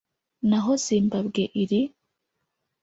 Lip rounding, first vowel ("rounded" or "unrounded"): unrounded